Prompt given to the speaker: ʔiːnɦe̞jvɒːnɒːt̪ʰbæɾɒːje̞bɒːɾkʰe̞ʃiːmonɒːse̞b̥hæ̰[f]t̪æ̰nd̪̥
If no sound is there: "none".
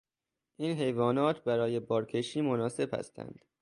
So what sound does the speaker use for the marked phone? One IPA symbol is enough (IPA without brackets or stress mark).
s